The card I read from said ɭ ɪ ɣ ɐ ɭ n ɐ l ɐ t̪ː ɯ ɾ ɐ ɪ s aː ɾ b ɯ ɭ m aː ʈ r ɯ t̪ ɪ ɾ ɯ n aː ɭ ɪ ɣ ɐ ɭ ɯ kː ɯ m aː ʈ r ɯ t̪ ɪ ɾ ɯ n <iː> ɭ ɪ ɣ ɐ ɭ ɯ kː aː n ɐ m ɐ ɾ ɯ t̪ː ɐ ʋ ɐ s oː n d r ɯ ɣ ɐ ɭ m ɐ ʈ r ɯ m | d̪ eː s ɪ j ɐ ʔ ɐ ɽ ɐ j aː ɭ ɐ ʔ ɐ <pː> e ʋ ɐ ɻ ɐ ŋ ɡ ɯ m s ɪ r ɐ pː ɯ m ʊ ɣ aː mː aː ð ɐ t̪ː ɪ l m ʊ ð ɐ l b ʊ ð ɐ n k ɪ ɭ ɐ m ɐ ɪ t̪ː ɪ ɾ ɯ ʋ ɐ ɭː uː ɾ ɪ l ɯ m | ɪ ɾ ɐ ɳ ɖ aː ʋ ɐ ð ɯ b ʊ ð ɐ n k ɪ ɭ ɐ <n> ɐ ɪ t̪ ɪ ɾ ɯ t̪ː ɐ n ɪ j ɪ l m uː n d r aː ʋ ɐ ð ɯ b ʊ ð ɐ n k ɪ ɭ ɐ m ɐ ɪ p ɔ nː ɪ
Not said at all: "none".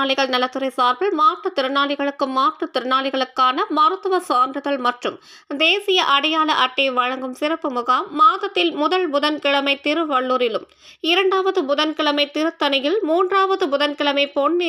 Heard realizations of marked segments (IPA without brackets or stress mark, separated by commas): aː, ʈː, m